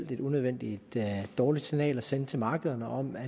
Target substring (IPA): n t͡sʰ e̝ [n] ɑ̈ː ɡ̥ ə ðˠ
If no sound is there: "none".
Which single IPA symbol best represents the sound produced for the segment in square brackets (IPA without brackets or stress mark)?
m